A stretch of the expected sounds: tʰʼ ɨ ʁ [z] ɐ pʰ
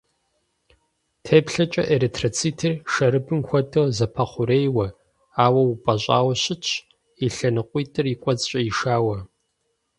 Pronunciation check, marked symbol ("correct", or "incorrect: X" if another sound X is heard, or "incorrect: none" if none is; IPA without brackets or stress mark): correct